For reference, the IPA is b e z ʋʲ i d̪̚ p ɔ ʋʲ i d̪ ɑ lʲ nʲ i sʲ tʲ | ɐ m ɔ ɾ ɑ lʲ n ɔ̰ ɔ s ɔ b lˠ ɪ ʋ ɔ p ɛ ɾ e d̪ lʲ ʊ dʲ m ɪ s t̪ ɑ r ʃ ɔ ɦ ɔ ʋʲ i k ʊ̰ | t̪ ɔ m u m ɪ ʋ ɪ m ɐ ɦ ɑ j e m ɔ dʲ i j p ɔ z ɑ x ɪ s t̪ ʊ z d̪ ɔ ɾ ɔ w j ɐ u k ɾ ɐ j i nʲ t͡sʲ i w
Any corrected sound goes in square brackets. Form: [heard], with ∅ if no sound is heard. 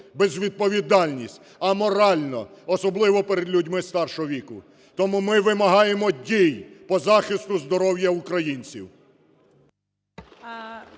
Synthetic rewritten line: b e z ʋʲ i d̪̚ p ɔ ʋʲ i d̪ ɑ lʲ nʲ i sʲ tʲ | ɐ m ɔ ɾ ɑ lʲ n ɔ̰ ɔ s ɔ b lˠ ɪ ʋ ɔ p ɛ ɾ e d̪ lʲ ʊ dʲ m ɪ s t̪ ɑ r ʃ ɔ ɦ ɔ ʋʲ i k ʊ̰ | t̪ ɔ m u m ɪ ʋ ɪ m ɐ ɦ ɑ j e m ɔ dʲ i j p ɔ z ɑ x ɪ s t̪ ʊ z d̪ ɔ ɾ ɔ w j ɐ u k ɾ ɐ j i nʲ t͡sʲ i w